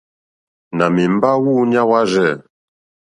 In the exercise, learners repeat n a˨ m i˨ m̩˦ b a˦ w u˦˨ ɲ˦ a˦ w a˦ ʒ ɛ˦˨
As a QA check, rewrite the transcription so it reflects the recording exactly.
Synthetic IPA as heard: n a˨ m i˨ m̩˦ b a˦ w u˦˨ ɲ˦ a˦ w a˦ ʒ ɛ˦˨